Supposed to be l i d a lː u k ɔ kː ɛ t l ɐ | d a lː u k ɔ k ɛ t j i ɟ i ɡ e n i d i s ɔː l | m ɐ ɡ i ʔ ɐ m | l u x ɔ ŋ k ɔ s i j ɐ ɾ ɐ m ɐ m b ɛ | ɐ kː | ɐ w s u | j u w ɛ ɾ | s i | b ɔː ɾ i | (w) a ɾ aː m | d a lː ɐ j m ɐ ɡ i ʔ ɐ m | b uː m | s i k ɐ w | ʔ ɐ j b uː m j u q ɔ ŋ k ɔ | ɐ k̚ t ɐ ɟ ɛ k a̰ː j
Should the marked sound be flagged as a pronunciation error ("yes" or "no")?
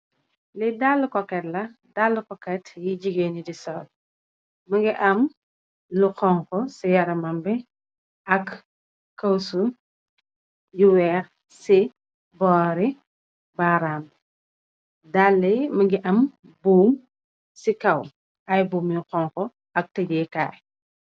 yes